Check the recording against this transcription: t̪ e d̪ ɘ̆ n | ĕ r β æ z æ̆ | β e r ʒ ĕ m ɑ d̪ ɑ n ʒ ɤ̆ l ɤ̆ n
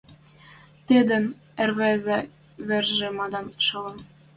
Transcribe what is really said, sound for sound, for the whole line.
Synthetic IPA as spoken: t̪ e d̪ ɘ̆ n | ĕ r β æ z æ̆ | β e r ʒ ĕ m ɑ d̪ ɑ n ʃ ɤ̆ l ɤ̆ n